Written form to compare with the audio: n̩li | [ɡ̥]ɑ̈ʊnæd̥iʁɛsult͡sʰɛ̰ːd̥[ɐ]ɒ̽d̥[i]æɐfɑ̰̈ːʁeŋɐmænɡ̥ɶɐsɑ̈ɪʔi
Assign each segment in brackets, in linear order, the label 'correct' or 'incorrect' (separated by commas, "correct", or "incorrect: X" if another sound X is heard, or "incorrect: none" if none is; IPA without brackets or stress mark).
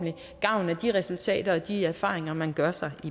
correct, correct, correct